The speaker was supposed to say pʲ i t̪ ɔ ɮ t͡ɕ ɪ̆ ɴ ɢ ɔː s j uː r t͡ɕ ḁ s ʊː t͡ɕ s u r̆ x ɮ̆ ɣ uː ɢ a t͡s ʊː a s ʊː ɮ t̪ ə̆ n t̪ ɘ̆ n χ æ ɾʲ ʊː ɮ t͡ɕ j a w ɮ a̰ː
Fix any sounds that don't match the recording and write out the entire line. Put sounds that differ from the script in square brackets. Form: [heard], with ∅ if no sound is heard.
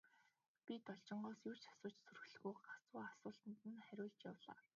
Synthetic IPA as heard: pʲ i t̪ ɔ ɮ t͡ɕ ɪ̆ ɴ ɢ ɔː s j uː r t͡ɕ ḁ s ʊː t͡ɕ s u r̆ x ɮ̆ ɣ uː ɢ a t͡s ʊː a s ʊː ɮ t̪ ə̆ n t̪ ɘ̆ n χ æ ɾʲ ʊː ɮ t͡ɕ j a w ɮ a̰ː

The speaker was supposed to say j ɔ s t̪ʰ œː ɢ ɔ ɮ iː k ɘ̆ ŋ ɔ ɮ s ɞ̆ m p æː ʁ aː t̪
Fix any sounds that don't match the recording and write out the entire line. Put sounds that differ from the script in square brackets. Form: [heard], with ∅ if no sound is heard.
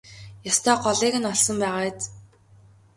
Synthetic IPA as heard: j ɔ s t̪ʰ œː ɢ ɔ ɮ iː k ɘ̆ [n] ɔ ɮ s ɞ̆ m p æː ʁ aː t̪

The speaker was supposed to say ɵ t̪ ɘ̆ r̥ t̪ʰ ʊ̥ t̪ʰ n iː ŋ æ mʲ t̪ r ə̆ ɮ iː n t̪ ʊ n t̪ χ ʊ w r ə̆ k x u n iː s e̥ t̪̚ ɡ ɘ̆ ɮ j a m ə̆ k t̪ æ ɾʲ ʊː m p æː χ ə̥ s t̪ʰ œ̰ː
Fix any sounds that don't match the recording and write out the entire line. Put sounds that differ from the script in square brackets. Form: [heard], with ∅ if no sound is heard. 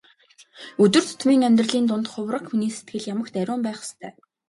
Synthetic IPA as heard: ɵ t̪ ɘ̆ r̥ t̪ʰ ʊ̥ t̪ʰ [m] iː ŋ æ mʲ t̪ r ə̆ ɮ iː n t̪ ʊ n t̪ χ ʊ w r ə̆ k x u n iː s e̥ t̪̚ ɡ ɘ̆ ɮ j a m ə̆ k t̪ æ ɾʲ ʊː m p æː χ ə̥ s t̪ʰ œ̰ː

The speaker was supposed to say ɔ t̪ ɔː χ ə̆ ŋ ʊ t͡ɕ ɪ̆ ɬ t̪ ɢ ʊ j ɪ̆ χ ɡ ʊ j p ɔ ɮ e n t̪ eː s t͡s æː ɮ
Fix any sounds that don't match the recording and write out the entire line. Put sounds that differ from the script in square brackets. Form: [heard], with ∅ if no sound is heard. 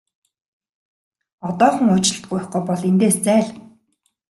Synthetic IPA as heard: ɔ t̪ ɔː χ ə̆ ŋ ʊ t͡ɕ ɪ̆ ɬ t̪ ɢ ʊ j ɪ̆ χ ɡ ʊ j p ɔ ɮ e n t̪ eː s t͡s æː ɮ

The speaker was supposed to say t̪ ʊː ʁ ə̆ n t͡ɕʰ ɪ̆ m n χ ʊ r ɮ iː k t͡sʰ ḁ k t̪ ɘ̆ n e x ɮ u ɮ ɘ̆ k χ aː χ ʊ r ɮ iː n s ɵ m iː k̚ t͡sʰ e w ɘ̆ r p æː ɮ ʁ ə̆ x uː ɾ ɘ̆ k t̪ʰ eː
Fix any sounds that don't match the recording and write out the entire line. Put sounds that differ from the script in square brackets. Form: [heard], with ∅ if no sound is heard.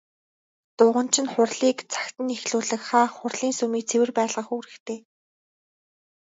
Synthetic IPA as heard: t̪ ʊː ʁ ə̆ n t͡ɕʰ ɪ̆ [∅] n χ ʊ r ɮ iː k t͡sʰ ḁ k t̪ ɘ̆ n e x ɮ [uː] ɮ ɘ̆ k χ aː χ ʊ r ɮ iː n s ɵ m iː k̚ t͡sʰ e w ɘ̆ r p æː ɮ ʁ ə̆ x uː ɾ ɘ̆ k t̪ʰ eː

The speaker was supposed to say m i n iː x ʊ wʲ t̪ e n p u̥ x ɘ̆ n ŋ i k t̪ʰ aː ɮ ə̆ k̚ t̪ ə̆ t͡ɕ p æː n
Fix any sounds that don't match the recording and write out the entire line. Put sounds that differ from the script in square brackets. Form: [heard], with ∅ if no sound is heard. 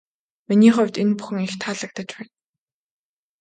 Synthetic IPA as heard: m i n iː [χ] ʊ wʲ t̪ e n p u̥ x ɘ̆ [∅] ŋ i [x] t̪ʰ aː ɮ ə̆ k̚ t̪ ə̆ t͡ɕ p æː n

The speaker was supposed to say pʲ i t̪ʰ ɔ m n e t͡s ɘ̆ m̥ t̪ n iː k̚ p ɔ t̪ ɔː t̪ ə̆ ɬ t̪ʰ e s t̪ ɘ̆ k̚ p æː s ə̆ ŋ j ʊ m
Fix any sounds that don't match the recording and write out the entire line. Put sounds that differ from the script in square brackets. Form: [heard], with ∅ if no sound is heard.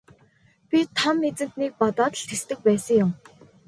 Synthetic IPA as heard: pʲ i t̪ʰ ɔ m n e t͡s ɘ̆ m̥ t̪ n iː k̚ p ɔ t̪ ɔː t̪ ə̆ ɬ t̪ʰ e s t̪ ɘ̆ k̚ p æː s ə̆ ŋ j ʊ m

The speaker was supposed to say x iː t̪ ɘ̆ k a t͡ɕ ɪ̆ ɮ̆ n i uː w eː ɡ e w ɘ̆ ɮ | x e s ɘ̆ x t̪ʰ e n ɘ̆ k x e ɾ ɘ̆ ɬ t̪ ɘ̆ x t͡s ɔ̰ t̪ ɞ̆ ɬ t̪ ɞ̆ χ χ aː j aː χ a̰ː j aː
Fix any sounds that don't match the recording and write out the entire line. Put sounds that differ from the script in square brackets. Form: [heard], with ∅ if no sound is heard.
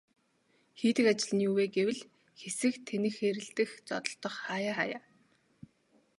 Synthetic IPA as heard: x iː t̪ ɘ̆ k a t͡ɕ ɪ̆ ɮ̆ n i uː w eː ɡ e w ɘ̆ ɮ | x e s ɘ̆ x t̪ʰ e n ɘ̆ [x] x e ɾ ɘ̆ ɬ t̪ ɘ̆ x t͡s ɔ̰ t̪ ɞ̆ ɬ t̪ ɞ̆ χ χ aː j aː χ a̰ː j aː

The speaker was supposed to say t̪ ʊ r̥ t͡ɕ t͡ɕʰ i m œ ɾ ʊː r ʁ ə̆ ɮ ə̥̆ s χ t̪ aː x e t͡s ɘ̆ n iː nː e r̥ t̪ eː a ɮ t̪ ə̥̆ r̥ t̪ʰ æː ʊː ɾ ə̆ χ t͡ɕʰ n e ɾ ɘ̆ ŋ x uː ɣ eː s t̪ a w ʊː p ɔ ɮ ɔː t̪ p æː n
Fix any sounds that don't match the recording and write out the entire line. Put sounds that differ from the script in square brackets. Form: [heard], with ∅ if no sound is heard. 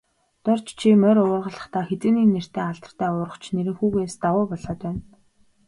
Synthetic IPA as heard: t̪ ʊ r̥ t͡ɕ t͡ɕʰ i m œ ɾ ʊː r ʁ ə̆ ɮ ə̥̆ [∅] χ t̪ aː x e t͡s ɘ̆ n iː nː e r̥ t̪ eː a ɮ t̪ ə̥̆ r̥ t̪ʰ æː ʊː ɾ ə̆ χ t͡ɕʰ n e ɾ ɘ̆ ŋ x uː ɣ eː s t̪ a w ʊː p ɔ ɮ ɔː t̪ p æː n

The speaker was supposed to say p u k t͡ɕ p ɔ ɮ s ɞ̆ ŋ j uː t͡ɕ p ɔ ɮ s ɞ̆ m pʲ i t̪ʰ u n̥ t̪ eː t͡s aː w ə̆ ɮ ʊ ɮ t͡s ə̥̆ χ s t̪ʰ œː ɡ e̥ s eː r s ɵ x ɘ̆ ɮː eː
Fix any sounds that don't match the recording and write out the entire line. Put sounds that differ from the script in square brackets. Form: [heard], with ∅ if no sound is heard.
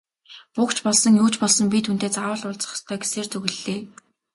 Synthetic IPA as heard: p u k t͡ɕ p ɔ ɮ s ɞ̆ ŋ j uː t͡ɕ p ɔ ɮ s ɞ̆ m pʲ i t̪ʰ u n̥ t̪ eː t͡s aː w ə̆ ɮ ʊ ɮ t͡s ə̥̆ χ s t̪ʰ œː ɡ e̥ s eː r [t͡s] ɵ [ɣ] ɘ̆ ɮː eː

